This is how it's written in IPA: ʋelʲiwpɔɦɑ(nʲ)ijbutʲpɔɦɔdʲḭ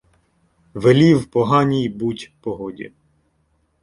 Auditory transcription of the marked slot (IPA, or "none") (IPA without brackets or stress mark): nʲ